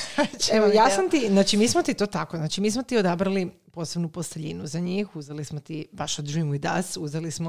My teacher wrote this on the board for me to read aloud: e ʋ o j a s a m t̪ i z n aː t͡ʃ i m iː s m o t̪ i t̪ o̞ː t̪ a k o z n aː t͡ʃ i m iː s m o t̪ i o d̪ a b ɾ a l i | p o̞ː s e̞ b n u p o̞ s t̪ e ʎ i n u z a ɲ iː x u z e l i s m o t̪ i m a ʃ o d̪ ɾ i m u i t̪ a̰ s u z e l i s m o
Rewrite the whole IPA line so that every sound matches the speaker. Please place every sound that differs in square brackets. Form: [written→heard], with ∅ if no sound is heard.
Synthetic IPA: e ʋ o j a s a m t̪ i z n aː t͡ʃ i m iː s m o t̪ i t̪ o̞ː t̪ a k o z n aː t͡ʃ i m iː s m o t̪ i o d̪ a b ɾ a l i | p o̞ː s e̞ b n u p o̞ s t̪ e ʎ i n u z a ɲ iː x u z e l i s m o t̪ i [m→b] a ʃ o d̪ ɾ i m u i [t̪→d̪] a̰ s u z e l i s m o